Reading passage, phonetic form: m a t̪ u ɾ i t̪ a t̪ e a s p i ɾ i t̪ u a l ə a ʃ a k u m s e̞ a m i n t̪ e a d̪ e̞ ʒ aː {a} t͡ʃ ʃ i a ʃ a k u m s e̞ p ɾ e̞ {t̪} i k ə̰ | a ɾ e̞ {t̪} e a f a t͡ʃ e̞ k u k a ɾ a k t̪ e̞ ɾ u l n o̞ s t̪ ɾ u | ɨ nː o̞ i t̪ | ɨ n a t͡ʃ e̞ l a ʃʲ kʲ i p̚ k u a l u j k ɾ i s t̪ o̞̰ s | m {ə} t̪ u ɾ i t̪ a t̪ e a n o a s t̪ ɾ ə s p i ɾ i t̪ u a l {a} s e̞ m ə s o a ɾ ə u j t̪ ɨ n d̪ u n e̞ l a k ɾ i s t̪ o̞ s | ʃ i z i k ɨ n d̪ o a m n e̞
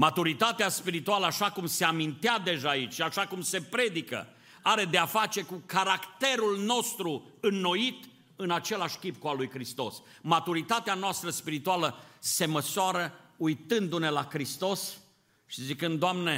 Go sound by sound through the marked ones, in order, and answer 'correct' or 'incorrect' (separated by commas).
incorrect, incorrect, incorrect, incorrect, incorrect